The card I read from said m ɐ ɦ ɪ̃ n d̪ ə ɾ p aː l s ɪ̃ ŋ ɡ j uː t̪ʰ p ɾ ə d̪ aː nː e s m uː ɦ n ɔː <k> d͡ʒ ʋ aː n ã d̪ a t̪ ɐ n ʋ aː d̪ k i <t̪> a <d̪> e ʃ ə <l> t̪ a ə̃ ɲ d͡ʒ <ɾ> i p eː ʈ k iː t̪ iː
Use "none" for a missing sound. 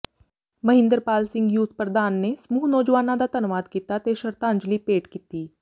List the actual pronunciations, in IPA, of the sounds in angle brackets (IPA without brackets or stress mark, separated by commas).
none, t̪, t̪, ɾ, l